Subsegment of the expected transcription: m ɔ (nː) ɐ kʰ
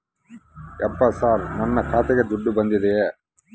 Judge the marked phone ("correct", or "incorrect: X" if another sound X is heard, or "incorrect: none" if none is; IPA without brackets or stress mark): correct